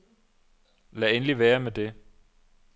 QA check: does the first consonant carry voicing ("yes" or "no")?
yes